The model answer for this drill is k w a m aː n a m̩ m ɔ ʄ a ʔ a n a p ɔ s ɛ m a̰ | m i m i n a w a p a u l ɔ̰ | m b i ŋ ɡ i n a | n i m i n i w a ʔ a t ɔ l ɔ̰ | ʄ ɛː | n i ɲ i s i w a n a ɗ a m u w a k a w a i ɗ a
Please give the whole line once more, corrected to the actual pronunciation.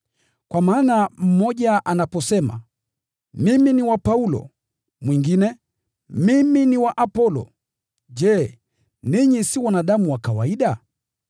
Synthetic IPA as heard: k w a m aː n a m̩ m ɔ ʄ a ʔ a n a p ɔ s ɛ m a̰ | m i m i n i w a p a u l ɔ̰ | m w i ŋ ɡ i n ɛ | m i m i n i w a ʔ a p ɔ l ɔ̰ | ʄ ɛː | n i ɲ i s i w a n a ɗ a m u w a k a w a i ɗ a